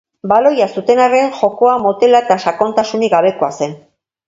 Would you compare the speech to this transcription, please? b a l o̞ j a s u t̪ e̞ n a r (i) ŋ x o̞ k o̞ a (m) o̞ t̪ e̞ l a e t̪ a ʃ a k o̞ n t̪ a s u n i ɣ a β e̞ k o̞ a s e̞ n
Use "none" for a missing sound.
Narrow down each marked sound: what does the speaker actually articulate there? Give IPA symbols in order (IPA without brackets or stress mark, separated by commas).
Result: e, m